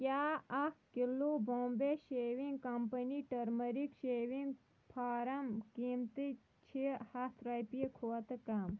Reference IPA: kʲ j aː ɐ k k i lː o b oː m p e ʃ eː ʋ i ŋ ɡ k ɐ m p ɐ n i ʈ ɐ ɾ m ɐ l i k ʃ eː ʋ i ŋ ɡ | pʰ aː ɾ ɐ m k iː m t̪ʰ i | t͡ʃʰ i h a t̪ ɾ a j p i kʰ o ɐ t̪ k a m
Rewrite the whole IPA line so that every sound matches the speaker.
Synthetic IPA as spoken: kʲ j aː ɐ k k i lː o b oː m b e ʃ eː ʋ i ŋ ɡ k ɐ m p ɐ n i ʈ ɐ ɾ m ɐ ɾ i k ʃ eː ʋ i ŋ ɡ | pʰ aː ɾ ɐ m k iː m t̪ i | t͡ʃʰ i h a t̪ ɾ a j p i kʰ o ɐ t̪ k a m